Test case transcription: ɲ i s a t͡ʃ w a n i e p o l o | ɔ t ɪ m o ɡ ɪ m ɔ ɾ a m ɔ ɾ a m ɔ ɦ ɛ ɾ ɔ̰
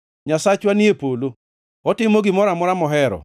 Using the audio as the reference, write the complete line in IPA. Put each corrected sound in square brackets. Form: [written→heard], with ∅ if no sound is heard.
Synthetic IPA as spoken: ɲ [i→a] s a t͡ʃ w a n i e p o l o | ɔ t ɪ m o ɡ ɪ m ɔ ɾ a m ɔ ɾ a m ɔ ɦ ɛ ɾ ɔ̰